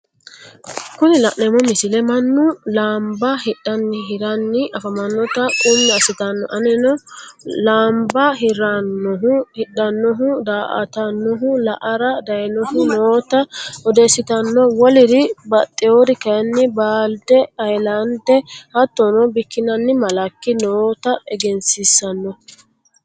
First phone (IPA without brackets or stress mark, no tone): k